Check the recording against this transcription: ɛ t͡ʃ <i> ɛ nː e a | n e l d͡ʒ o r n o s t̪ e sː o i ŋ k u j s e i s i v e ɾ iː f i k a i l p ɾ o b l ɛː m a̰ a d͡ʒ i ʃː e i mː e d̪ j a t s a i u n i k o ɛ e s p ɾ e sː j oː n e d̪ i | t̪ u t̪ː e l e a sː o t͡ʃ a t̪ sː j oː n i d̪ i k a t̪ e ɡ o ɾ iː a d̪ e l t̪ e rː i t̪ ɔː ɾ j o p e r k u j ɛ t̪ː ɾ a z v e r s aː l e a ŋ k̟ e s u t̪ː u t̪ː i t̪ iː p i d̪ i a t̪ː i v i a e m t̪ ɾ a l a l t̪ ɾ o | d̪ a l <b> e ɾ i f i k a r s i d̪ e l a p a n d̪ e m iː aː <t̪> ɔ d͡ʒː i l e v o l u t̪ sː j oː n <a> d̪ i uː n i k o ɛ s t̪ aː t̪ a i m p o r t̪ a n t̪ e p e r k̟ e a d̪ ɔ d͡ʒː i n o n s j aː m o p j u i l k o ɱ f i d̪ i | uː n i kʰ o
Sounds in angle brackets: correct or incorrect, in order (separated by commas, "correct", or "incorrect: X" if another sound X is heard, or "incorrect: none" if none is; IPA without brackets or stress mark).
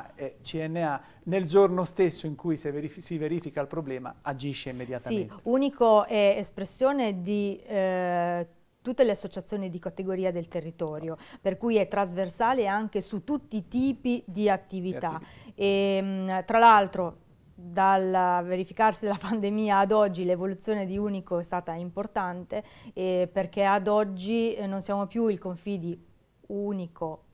correct, incorrect: v, incorrect: d̪, incorrect: e